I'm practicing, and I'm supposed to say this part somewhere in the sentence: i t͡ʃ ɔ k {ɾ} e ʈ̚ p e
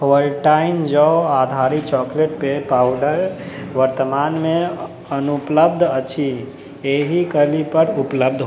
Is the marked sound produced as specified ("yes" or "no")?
no